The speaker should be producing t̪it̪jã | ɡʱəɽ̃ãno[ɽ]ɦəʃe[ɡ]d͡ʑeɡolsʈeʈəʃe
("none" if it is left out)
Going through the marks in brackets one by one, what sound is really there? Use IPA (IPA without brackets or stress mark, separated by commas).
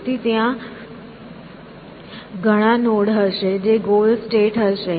ɽ, none